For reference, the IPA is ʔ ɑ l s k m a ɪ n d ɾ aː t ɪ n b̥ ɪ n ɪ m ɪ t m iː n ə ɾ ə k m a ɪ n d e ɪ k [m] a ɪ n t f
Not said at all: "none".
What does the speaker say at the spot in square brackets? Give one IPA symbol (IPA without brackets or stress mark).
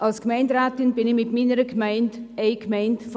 m